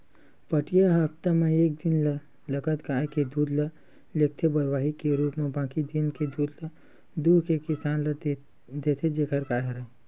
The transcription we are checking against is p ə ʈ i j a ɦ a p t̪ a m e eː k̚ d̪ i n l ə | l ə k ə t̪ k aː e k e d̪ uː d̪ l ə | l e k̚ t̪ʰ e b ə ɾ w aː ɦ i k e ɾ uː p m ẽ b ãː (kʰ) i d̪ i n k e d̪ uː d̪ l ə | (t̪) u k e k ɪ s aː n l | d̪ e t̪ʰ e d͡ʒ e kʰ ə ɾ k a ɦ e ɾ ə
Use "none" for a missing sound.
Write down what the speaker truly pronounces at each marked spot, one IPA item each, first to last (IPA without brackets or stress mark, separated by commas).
k, d̪